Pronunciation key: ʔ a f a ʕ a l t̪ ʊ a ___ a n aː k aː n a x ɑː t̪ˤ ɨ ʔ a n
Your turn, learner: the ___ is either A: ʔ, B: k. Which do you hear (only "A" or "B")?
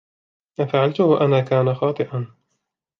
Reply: A